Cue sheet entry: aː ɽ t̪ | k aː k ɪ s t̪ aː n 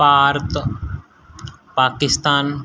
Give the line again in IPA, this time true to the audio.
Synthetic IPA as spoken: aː ɾ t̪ | p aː k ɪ s t̪ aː n